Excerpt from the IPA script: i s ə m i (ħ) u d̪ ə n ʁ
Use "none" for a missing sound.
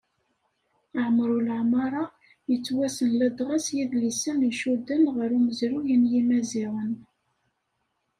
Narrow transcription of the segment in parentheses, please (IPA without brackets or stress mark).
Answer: ʃ